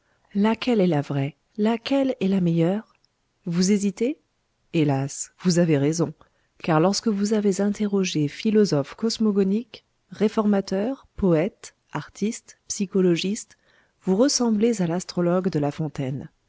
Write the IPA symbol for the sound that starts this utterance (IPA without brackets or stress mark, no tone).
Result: l